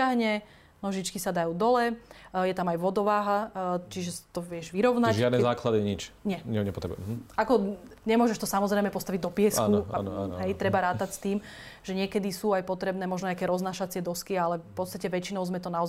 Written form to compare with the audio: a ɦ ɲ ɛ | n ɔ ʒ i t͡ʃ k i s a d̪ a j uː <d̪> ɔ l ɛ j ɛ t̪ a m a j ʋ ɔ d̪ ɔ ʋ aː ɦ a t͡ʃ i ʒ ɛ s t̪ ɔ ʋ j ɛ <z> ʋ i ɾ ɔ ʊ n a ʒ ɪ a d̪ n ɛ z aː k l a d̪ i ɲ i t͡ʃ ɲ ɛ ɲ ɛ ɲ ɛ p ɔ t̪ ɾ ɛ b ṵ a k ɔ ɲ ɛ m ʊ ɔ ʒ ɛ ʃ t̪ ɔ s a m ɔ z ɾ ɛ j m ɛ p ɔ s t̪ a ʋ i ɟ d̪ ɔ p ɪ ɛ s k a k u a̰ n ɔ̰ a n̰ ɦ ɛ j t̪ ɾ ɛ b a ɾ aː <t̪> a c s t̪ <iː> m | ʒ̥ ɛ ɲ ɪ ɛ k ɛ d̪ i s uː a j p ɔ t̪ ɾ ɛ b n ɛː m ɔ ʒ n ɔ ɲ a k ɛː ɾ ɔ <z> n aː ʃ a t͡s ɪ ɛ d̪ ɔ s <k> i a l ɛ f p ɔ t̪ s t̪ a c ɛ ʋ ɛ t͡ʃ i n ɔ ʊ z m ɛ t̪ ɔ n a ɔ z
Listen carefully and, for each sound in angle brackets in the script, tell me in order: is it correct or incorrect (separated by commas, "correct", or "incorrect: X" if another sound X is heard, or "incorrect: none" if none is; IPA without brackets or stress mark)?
correct, incorrect: ʒ, correct, correct, correct, correct